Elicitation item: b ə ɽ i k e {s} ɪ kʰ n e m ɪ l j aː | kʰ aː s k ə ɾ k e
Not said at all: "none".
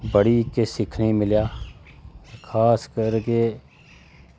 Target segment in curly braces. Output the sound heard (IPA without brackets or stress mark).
s